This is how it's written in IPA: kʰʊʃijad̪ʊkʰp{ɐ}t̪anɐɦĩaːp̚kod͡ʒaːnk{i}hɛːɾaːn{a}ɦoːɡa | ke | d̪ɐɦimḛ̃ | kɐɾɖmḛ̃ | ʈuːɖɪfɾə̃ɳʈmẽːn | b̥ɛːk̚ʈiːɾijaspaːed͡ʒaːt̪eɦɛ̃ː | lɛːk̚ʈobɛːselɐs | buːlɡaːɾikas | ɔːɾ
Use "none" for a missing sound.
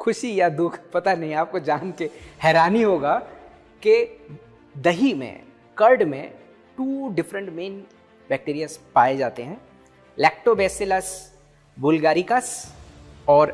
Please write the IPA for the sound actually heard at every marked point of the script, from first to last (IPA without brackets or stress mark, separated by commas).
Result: ɐ, e, i